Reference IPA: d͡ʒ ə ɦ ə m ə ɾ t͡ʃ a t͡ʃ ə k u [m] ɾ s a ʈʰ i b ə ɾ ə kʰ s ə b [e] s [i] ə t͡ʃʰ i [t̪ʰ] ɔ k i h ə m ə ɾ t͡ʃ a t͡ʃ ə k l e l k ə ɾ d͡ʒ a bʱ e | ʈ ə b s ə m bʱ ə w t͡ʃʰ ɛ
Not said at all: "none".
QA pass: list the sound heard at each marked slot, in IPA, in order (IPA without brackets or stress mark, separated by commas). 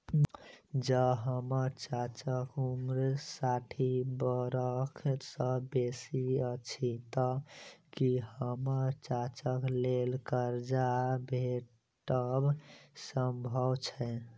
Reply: m, e, i, t̪